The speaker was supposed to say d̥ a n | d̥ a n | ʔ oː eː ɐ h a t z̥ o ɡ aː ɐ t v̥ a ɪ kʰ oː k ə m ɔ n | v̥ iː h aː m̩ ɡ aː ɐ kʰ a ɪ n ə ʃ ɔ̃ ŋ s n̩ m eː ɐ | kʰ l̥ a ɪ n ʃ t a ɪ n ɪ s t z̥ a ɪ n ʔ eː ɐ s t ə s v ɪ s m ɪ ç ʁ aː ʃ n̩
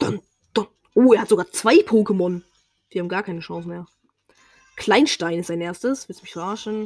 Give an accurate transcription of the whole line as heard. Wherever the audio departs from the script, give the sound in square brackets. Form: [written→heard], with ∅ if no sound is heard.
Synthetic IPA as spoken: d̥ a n | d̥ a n | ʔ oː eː ɐ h a t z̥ o ɡ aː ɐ [t→t͡s] v̥ a ɪ [kʰ→pʰ] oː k ə m ɔ n | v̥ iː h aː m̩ ɡ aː ɐ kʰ a ɪ n ə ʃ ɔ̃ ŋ s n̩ m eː ɐ | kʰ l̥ a ɪ n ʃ t a ɪ n ɪ s t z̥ a ɪ n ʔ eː ɐ s t ə s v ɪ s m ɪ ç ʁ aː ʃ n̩